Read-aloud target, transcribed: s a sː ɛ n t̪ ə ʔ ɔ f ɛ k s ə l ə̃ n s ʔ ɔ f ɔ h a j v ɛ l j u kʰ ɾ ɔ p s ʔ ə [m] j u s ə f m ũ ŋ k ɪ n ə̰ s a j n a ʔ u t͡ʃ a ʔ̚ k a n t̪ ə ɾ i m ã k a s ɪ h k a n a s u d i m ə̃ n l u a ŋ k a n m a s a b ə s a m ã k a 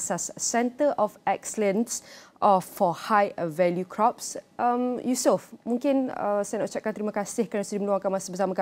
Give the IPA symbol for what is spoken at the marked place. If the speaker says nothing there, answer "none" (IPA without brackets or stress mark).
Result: m